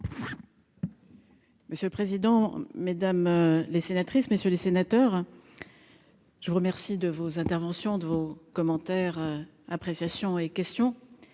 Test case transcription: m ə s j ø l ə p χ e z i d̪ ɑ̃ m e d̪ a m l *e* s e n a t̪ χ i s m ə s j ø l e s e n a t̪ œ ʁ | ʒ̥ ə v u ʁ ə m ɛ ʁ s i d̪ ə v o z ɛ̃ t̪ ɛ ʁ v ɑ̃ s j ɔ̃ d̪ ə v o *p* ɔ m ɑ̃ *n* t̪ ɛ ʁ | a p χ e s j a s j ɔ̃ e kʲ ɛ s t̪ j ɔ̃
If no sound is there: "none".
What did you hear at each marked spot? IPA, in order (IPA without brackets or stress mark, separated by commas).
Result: e, k, none